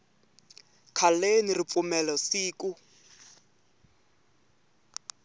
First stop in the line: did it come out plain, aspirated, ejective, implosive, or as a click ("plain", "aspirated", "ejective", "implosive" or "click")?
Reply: aspirated